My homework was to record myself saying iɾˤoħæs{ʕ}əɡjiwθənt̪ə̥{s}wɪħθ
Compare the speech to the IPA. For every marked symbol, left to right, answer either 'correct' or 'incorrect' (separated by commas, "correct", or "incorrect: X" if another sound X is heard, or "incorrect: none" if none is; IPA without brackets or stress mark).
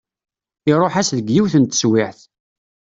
incorrect: ð, correct